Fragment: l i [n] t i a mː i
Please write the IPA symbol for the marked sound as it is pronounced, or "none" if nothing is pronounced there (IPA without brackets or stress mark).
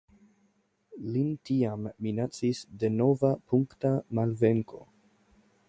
n